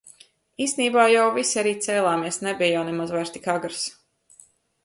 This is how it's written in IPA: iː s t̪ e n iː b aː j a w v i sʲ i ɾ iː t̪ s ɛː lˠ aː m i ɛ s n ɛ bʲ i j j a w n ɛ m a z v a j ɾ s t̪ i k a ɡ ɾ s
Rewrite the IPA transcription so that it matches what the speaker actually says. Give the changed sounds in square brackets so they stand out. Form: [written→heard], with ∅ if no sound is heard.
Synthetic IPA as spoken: iː s t̪ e n iː b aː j a w v i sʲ [i→a] ɾ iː t̪ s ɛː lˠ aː m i ɛ s n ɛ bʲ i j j a w n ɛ m a z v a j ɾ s t̪ i k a ɡ ɾ s

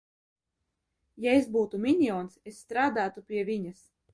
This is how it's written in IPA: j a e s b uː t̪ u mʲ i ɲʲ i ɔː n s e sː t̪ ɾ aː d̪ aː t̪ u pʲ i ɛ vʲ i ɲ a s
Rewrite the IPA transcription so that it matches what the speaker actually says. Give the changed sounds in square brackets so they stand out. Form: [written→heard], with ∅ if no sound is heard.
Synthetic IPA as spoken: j a e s b uː t̪ u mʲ i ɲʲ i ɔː n s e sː t̪ ɾ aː d̪ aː t̪ u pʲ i ɛ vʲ i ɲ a s

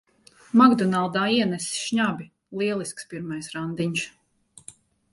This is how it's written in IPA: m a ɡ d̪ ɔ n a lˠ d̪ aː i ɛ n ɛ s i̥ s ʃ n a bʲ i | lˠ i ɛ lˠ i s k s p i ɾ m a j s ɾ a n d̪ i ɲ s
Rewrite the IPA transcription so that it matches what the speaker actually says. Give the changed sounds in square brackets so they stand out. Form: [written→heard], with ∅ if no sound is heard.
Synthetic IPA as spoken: m a ɡ d̪ ɔ n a lˠ d̪ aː i ɛ n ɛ s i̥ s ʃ [n→ɲ] a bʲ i | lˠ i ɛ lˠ i s k s p i ɾ m a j s ɾ a n d̪ i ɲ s

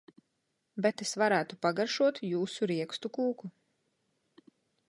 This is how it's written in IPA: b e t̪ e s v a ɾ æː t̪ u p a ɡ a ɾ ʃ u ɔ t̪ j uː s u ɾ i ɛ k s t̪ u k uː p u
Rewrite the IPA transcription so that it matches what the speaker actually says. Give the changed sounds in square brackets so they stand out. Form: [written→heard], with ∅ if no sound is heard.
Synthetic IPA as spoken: b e t̪ e s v a ɾ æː t̪ u p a ɡ a ɾ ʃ u ɔ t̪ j uː s u ɾ i ɛ k s t̪ u k uː [p→k] u

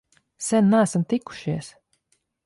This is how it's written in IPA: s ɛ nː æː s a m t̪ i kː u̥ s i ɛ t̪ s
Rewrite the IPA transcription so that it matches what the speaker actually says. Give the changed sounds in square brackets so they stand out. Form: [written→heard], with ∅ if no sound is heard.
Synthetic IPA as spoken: s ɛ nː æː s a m t̪ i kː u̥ [s→ʃ] i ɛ [t̪→∅] s

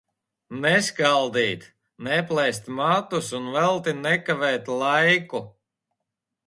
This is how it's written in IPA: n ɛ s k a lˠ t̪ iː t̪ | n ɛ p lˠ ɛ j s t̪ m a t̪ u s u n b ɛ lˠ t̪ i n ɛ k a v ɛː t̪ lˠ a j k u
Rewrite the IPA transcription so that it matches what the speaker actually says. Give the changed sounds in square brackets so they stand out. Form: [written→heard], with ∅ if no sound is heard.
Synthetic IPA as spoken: n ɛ s k a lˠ [t̪→d̪] iː t̪ | n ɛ p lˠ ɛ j s t̪ m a t̪ u s u n [b→v] ɛ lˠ t̪ i n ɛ k a v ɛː t̪ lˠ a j k u

